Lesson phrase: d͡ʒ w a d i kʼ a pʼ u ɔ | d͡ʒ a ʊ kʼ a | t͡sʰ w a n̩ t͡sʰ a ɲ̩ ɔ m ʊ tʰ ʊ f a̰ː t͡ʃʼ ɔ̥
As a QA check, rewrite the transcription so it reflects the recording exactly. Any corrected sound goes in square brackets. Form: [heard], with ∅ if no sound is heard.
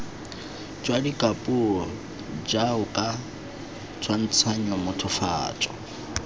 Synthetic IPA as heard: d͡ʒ w a d i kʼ a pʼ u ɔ | d͡ʒ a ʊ kʼ a | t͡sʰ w a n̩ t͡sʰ a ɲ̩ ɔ m ʊ tʰ ʊ f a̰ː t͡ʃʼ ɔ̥